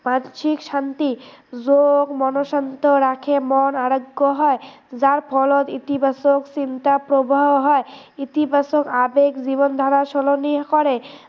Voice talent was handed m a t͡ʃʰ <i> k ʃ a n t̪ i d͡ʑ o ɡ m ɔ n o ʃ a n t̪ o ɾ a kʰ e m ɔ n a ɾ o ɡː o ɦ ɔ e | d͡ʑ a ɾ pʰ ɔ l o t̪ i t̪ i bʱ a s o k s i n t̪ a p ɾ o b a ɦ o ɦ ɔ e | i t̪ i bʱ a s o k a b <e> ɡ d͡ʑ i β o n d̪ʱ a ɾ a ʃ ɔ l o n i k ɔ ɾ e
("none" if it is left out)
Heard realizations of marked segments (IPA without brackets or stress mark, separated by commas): i, e